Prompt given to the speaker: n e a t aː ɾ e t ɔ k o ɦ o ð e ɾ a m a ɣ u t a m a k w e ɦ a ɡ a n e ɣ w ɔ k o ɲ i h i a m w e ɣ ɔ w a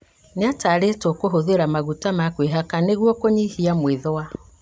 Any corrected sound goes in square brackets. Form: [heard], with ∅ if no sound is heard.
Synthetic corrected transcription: n e a t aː ɾ e t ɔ k o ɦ o ð e ɾ a m a ɣ u t a m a k w e ɦ a [k] a n e ɣ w ɔ k o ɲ i h i a m w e [ð] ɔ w a